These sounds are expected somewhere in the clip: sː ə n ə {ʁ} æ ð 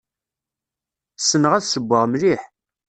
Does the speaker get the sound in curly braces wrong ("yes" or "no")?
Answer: no